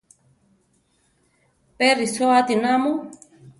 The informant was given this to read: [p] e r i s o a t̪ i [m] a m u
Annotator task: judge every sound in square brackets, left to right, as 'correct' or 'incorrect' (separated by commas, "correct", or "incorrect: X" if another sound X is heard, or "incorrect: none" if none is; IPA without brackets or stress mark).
correct, incorrect: n